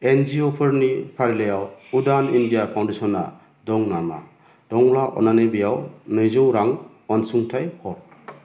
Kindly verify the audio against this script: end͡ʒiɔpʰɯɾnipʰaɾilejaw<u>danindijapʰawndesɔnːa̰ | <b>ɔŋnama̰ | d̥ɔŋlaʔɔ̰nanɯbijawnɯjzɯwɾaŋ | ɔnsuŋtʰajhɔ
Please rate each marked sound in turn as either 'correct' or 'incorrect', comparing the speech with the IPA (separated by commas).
correct, incorrect